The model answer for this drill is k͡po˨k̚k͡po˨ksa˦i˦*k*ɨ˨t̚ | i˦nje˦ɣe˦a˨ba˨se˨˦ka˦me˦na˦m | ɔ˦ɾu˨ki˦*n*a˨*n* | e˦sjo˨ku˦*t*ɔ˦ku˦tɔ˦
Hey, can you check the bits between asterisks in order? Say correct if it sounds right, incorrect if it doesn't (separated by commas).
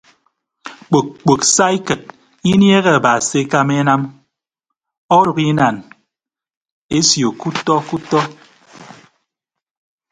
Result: correct, correct, correct, correct